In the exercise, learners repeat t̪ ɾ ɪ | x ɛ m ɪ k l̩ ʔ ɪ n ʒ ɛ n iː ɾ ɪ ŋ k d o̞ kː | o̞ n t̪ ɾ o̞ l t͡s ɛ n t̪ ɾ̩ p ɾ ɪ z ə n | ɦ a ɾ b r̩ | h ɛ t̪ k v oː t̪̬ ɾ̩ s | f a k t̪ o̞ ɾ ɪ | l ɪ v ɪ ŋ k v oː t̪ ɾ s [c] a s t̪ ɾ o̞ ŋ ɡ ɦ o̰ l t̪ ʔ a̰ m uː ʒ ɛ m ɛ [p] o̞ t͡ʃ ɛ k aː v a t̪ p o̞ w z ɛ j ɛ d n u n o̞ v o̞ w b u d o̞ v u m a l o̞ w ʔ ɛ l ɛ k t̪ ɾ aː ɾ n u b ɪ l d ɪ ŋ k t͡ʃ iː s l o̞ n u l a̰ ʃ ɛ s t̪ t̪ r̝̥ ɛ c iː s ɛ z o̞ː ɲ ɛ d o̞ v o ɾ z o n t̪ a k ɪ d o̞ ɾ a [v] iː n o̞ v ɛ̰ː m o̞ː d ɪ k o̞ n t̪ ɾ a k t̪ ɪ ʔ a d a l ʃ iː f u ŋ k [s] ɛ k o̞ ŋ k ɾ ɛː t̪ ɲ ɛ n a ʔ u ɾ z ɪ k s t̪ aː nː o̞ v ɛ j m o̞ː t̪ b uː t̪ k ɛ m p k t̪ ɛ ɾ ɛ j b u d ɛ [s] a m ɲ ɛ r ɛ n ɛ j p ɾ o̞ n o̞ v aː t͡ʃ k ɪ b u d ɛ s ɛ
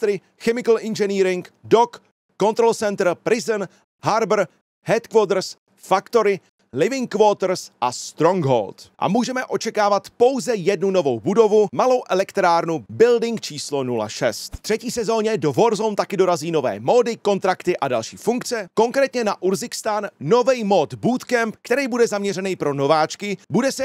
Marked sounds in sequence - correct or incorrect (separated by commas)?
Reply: incorrect, incorrect, incorrect, incorrect, incorrect